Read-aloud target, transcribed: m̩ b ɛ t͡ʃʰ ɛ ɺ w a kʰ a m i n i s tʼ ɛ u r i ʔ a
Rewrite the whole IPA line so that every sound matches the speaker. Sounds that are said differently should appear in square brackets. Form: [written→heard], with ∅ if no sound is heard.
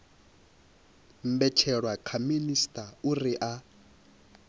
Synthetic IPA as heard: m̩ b ɛ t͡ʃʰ ɛ ɺ w a kʰ a m i n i s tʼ [ɛ→a] u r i ʔ a